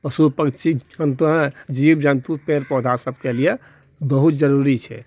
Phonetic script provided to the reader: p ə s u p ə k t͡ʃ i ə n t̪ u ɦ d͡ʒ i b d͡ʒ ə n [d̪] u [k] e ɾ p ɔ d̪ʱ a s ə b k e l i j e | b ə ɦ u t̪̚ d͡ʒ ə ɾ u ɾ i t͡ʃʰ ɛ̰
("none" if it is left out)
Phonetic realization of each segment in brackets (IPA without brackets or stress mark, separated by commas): t̪, p